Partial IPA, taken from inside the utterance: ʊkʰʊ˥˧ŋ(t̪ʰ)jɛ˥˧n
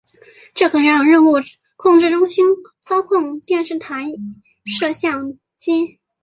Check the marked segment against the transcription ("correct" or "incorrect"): incorrect